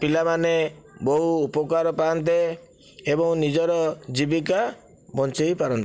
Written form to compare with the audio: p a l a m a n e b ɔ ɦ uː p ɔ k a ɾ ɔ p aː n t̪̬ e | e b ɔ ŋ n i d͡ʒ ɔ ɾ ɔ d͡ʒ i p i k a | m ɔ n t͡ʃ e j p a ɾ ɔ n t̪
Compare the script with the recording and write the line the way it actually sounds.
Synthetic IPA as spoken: p i l a m a n e b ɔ ɦ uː p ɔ k a ɾ ɔ p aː n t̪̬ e | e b ɔ ŋ n i d͡ʒ ɔ ɾ ɔ d͡ʒ i b i k a | b ɔ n t͡ʃ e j p a ɾ ɔ n t̪